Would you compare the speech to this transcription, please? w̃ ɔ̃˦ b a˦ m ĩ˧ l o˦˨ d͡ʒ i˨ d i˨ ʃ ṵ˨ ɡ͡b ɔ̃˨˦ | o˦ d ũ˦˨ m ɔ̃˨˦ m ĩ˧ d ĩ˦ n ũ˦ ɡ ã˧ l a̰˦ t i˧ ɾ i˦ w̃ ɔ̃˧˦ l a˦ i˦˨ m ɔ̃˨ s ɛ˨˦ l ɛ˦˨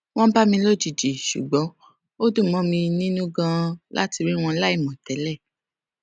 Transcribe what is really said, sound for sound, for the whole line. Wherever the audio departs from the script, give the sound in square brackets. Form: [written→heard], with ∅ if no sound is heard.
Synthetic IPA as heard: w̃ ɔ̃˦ b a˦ m ĩ˧ l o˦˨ d͡ʒ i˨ [d→d͡ʒ] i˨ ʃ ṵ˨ ɡ͡b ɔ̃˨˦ | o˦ d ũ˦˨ m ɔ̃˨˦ m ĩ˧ [d→n] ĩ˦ n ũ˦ ɡ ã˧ l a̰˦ t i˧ ɾ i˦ w̃ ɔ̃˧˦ l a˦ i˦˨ m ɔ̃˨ [s→t] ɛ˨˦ l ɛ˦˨

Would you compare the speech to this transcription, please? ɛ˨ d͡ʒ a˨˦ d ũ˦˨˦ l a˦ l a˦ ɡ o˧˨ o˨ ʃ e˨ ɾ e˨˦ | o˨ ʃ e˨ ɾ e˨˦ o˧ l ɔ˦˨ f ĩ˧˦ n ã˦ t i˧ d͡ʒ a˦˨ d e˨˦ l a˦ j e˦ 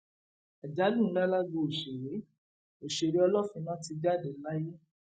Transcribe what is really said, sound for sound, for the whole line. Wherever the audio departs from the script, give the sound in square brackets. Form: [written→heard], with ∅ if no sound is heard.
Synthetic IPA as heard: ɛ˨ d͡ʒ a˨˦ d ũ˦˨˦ l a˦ l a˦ ɡ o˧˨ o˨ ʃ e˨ ɾ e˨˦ | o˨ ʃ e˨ ɾ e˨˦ [o˧→ɔ˧] l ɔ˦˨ f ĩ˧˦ n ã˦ t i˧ d͡ʒ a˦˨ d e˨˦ l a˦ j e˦

